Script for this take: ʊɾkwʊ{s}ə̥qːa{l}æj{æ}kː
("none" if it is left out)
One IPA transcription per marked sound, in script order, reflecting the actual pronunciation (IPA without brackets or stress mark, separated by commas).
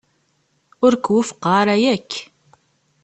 f, ɾ, æ